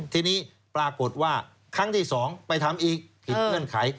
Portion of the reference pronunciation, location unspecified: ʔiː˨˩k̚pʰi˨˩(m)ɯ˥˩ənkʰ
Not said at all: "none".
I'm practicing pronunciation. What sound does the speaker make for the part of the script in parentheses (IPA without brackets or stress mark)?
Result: ŋ